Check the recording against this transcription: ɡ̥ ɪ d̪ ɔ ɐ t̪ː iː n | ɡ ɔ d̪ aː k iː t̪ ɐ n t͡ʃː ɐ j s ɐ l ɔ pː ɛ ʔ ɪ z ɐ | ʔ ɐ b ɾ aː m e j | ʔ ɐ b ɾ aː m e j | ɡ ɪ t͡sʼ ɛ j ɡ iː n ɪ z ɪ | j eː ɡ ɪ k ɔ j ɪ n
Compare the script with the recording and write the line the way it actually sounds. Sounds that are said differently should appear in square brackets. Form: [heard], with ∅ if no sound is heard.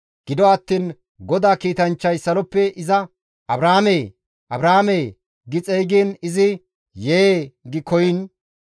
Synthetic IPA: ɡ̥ ɪ d̪ ɔ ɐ t̪ː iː n | ɡ ɔ d̪ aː k iː t̪ ɐ n t͡ʃː ɐ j s ɐ l ɔ pː ɛ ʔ ɪ z ɐ | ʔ ɐ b ɾ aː m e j | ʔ ɐ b ɾ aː m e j | ɡ ɪ t͡sʼ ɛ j ɡ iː n ɪ z ɪ | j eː ɡ ɪ k ɔ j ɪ n